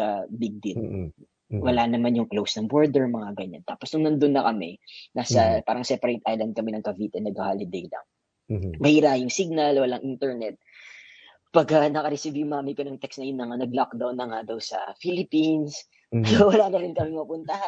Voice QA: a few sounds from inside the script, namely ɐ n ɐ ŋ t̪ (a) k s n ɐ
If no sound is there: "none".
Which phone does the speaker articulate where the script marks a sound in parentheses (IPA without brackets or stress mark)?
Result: ɛ